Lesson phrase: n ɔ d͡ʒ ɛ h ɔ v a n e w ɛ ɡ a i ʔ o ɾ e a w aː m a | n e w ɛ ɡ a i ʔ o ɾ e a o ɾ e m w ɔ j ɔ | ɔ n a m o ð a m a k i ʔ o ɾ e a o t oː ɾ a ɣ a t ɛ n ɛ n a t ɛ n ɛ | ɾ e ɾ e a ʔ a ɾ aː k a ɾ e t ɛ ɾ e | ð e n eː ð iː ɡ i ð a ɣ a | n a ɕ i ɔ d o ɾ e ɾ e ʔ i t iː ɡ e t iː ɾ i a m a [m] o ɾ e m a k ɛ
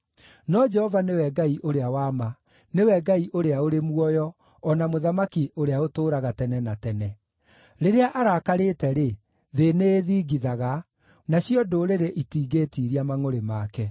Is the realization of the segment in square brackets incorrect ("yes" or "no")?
yes